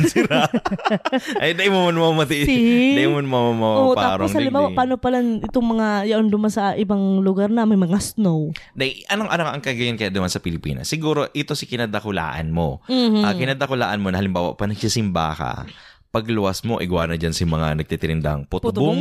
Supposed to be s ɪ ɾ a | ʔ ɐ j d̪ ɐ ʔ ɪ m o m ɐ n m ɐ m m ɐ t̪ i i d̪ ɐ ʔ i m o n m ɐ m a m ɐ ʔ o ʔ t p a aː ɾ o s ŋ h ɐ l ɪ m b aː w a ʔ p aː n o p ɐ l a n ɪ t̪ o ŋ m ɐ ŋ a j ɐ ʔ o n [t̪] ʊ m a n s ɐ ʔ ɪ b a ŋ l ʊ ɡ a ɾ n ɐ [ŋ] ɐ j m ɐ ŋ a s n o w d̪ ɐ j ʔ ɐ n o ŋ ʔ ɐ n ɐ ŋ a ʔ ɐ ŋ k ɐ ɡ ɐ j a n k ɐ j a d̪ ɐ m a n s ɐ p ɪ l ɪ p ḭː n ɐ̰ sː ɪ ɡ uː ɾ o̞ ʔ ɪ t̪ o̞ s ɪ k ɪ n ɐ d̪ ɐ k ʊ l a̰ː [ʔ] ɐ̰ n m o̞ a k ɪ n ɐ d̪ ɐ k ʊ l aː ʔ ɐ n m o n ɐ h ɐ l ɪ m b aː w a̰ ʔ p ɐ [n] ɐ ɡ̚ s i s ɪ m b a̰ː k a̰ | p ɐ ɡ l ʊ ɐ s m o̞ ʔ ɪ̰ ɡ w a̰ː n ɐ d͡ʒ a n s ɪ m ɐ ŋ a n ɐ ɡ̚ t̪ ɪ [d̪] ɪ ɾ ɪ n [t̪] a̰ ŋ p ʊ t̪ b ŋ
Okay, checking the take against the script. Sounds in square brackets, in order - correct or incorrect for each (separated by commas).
incorrect, incorrect, correct, correct, incorrect, incorrect